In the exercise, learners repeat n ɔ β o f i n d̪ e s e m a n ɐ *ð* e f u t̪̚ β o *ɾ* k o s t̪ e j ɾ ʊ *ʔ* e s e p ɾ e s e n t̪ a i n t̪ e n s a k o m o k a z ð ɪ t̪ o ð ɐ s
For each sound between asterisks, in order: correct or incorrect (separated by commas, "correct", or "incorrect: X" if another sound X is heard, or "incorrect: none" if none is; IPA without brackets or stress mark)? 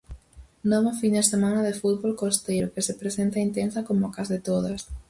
correct, incorrect: l, incorrect: k